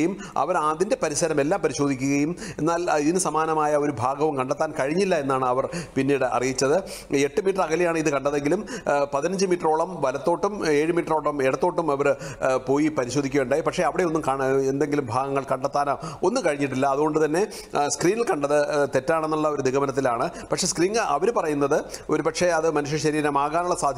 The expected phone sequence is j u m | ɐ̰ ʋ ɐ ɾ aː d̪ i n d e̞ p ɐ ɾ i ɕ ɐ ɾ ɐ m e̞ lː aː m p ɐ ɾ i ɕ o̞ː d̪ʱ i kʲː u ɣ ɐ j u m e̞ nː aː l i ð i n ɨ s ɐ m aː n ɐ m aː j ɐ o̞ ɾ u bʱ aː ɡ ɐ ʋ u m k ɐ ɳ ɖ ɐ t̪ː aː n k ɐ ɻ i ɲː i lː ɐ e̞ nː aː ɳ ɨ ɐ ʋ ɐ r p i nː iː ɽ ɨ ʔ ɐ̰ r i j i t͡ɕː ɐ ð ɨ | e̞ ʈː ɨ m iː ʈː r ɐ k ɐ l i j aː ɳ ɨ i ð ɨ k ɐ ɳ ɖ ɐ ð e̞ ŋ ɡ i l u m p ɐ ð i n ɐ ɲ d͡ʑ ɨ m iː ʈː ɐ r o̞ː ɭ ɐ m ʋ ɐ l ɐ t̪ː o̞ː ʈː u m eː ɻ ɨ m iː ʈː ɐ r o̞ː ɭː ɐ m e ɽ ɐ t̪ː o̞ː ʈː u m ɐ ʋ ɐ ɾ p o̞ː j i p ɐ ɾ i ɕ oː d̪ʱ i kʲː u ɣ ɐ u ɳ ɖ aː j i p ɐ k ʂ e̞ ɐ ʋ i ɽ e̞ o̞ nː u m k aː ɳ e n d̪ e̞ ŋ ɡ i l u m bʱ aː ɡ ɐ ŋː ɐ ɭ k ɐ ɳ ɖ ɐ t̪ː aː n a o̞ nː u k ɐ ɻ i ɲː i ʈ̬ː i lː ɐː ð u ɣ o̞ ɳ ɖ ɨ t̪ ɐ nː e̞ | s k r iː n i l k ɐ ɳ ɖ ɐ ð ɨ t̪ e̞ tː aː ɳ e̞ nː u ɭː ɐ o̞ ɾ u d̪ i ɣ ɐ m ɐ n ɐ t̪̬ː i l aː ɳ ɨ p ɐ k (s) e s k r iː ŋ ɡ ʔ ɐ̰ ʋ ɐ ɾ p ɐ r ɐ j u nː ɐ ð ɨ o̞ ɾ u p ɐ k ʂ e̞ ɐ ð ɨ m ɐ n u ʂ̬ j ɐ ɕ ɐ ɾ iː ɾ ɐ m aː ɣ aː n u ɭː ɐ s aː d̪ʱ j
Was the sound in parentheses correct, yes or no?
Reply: no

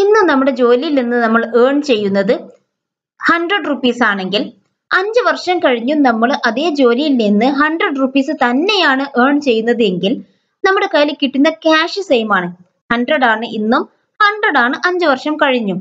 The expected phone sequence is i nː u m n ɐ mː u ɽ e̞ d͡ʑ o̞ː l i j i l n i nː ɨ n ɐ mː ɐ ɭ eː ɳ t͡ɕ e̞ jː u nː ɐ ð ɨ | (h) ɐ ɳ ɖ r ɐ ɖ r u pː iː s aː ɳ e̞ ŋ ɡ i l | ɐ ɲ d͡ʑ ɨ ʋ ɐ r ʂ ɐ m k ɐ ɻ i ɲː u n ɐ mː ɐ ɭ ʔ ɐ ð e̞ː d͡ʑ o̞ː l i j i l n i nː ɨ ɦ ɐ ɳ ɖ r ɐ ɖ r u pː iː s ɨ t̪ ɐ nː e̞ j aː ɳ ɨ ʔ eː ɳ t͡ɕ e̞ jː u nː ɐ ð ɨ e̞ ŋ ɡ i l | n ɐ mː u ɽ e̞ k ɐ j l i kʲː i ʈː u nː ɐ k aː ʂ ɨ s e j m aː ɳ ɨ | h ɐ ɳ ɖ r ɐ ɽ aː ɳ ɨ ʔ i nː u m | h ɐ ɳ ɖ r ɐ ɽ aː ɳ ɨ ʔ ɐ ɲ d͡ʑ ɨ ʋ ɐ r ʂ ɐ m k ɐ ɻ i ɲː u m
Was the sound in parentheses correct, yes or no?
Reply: yes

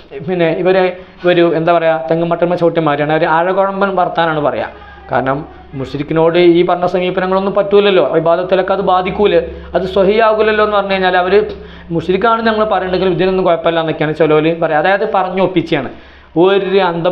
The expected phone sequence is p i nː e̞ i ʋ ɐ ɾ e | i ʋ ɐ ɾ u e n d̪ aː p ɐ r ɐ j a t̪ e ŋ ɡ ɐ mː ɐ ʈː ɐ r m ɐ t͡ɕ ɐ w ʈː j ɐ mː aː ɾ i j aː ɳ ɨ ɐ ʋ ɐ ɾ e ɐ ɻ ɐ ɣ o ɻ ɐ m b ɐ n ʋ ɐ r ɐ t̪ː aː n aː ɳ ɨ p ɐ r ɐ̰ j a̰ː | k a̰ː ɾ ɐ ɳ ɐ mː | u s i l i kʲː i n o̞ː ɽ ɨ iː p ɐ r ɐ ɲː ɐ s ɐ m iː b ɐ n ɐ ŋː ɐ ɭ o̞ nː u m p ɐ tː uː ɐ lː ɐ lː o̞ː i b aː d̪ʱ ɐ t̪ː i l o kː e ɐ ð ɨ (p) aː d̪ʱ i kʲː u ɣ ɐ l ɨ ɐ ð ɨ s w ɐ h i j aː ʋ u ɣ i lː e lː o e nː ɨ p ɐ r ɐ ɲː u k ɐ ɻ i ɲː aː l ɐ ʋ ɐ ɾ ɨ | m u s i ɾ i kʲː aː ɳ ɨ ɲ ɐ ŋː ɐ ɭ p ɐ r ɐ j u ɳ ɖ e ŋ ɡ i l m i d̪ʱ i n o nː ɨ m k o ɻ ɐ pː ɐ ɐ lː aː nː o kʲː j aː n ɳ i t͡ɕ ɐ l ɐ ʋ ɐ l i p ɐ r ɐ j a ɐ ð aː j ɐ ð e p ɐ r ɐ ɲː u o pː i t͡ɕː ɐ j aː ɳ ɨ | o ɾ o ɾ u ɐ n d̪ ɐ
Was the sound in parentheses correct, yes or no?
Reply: no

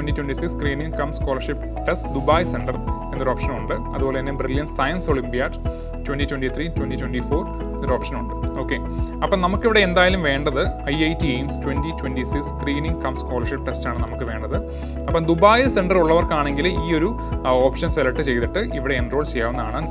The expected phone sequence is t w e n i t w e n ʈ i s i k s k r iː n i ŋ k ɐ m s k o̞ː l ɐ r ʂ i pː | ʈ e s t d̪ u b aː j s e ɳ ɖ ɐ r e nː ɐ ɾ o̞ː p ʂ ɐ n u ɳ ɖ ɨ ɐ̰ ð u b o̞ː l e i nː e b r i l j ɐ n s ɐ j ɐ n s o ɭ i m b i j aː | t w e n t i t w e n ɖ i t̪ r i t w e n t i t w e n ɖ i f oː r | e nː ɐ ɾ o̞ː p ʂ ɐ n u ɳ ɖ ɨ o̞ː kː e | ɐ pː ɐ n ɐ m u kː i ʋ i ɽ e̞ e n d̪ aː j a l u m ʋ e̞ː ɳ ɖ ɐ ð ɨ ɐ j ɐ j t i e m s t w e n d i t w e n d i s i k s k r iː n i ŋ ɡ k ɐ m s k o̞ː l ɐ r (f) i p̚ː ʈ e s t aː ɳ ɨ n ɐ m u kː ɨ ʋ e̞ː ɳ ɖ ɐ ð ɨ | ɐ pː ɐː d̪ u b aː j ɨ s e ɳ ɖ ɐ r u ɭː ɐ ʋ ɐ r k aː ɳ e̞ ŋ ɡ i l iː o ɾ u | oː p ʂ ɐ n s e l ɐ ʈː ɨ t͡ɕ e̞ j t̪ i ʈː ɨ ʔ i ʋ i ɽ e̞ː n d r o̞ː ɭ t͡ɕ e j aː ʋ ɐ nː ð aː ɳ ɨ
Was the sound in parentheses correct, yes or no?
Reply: no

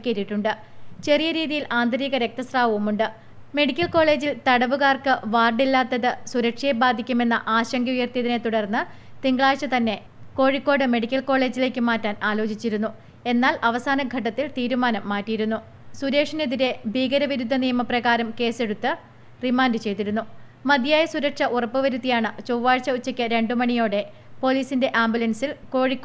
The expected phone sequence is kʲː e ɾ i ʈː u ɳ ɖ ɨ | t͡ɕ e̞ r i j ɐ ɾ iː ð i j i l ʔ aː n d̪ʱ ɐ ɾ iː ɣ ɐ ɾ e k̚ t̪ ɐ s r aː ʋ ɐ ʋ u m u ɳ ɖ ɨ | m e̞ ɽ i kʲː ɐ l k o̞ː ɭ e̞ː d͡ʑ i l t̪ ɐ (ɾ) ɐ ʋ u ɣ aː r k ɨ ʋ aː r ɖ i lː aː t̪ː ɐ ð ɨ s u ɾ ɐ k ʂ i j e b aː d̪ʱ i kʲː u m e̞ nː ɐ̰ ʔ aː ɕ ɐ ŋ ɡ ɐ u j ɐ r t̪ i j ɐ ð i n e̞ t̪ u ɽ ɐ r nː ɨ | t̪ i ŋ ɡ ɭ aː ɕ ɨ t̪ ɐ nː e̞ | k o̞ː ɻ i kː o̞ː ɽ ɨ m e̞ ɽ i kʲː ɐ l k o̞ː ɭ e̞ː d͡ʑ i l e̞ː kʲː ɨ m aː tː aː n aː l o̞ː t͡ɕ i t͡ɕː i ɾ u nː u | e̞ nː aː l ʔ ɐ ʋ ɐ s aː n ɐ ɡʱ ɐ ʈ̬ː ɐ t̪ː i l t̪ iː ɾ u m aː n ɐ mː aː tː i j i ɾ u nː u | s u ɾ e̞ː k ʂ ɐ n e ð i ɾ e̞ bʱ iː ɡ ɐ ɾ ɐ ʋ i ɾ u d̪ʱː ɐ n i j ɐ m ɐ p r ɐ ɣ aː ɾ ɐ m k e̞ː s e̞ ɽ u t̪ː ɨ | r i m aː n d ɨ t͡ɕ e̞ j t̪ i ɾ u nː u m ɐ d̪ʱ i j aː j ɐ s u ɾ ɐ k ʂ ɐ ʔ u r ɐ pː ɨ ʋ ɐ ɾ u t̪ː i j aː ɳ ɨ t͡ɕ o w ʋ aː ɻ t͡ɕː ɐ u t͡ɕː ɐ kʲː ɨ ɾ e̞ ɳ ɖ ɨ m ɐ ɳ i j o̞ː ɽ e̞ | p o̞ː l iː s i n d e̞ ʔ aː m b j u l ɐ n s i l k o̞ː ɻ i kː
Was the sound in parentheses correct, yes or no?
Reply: no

